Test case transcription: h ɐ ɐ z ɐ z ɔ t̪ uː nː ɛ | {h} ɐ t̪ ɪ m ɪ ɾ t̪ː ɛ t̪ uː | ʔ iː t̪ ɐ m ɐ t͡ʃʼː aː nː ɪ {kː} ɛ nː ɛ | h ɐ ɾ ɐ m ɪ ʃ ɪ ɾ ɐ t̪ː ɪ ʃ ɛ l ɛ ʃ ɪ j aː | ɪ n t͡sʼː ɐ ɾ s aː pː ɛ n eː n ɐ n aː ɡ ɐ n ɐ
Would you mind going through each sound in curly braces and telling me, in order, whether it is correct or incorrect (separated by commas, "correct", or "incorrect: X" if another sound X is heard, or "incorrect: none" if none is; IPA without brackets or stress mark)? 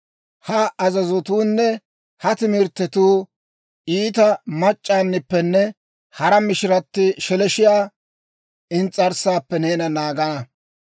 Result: correct, incorrect: pː